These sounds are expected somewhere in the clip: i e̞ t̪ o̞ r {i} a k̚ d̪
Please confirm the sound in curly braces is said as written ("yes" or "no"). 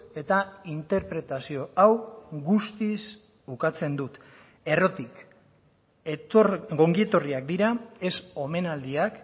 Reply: yes